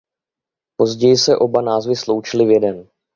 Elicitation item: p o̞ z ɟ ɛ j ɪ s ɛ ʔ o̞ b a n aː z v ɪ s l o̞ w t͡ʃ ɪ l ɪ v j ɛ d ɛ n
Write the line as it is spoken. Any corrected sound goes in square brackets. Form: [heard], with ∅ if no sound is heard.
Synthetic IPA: p o̞ z ɟ ɛ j ɪ s ɛ ʔ o̞ b a n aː z v ɪ s l o̞ w t͡ʃ ɪ l ɪ v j ɛ d ɛ n